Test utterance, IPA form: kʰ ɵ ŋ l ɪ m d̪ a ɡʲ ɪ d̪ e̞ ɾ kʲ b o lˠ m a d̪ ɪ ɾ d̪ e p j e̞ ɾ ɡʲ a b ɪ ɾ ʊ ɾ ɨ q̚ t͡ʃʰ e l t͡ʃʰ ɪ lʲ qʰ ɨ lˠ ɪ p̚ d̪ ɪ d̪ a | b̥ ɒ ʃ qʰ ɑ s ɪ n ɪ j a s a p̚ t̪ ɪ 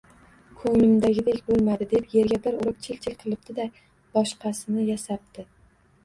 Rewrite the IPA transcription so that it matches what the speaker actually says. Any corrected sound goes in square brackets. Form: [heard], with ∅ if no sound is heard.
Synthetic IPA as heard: kʰ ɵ ŋ l ɪ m d̪ a ɡʲ ɪ d̪ e̞ [∅] kʲ b o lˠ m a d̪ ɪ [∅] d̪ e p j e̞ ɾ ɡʲ a b ɪ ɾ ʊ ɾ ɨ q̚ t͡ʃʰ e l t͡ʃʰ ɪ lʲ qʰ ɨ lˠ ɪ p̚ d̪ ɪ d̪ a | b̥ ɒ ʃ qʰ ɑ s ɪ n ɪ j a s a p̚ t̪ ɪ